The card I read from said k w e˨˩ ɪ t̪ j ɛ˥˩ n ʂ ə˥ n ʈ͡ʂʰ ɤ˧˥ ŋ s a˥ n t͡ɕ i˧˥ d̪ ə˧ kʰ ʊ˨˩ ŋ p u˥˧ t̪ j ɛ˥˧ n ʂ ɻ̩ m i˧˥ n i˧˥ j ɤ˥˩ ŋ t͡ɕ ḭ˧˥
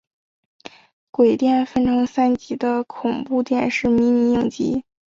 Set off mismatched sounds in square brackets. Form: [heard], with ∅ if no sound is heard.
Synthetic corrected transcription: k w e˨˩ ɪ t̪ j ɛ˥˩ n [f] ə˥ n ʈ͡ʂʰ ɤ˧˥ ŋ s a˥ n t͡ɕ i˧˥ d̪ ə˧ kʰ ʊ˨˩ ŋ p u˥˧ t̪ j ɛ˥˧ n ʂ ɻ̩ m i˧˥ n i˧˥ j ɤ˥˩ ŋ t͡ɕ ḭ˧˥